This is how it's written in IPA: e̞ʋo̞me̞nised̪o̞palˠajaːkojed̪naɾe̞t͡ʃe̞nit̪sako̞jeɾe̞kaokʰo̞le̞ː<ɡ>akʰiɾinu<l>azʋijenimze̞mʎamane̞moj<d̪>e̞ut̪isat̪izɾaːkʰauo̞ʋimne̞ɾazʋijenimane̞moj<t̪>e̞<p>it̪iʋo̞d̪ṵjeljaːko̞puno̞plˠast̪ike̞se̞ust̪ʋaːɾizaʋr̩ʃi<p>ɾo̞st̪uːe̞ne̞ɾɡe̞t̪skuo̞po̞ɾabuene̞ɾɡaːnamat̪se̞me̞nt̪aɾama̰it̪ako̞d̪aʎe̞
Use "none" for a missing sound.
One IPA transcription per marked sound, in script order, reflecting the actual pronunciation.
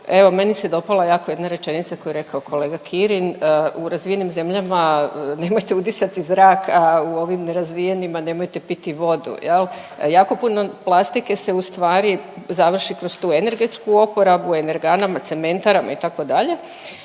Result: ɡ, ɾ, t̪, t̪, p, k

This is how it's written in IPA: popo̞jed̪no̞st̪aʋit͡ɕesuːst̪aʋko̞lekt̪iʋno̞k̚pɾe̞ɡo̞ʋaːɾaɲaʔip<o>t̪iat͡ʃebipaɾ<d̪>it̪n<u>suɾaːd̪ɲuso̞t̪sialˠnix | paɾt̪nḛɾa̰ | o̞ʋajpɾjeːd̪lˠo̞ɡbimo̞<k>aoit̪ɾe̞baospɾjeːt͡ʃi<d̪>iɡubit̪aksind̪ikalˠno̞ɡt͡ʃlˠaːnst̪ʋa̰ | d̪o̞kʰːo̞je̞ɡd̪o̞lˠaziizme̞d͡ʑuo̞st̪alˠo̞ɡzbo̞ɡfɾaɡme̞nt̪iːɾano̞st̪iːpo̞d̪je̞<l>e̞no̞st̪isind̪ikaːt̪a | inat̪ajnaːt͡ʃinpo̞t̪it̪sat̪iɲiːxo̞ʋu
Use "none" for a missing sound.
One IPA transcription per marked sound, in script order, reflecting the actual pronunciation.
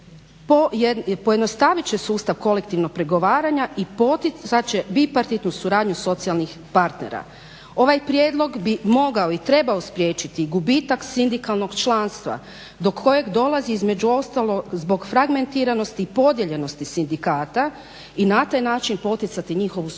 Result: o, t̪, u, ɡ, t̪, ʎ

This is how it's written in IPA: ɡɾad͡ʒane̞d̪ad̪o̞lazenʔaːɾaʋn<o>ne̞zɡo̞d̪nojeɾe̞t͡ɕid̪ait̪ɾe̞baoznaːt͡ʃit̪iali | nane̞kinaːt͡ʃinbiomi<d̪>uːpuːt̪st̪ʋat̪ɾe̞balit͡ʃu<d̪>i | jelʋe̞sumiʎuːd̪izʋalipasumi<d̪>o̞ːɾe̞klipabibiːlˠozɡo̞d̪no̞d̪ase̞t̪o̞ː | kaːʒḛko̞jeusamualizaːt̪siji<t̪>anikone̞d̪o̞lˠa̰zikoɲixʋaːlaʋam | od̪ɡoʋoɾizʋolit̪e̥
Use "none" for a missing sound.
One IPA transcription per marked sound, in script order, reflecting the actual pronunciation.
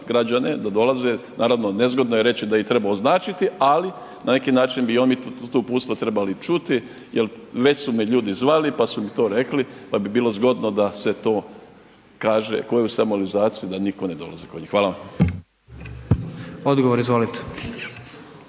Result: o, t̪, t̪, t̪, d̪

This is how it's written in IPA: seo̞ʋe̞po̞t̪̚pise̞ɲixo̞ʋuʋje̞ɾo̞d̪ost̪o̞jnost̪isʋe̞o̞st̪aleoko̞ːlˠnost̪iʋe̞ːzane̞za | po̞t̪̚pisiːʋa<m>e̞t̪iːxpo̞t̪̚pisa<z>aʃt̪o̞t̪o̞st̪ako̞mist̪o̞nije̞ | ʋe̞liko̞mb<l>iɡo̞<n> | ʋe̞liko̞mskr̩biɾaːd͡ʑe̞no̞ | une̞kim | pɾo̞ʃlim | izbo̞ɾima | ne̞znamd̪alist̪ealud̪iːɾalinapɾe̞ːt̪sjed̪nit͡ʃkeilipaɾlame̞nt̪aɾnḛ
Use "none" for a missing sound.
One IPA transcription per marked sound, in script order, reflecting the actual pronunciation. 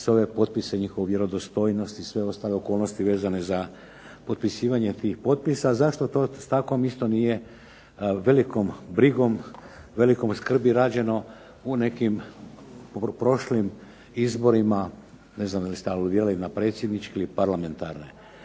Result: ɲ, z, ɾ, m

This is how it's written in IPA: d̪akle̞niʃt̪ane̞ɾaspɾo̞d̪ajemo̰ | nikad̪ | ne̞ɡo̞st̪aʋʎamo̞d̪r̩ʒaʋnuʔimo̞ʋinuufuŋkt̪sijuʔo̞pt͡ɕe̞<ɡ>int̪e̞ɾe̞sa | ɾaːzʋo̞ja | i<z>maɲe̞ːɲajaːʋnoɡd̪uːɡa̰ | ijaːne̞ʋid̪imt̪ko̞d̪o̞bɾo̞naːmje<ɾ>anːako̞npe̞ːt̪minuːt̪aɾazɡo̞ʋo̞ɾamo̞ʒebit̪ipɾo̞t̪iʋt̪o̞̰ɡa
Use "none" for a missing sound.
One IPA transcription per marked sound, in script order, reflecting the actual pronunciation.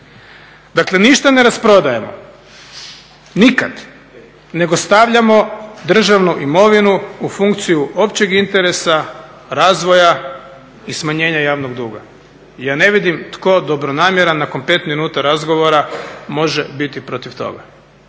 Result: ɡ, s, ɾ

